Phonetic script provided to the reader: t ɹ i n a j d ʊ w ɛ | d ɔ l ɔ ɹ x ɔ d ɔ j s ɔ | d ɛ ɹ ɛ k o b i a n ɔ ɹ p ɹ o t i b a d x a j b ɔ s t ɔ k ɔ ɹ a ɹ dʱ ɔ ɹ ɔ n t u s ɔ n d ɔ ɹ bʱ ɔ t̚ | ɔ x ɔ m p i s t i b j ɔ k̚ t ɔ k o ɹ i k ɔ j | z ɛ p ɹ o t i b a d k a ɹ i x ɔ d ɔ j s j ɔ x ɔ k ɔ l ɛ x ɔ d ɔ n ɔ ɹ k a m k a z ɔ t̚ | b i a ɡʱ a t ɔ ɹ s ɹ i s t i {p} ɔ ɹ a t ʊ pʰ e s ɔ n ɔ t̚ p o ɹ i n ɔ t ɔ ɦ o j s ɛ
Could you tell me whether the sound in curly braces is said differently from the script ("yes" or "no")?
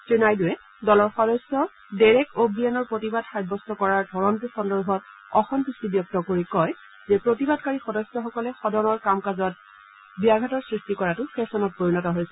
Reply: yes